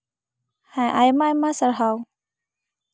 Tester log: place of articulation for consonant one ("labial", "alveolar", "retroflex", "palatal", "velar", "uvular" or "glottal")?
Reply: glottal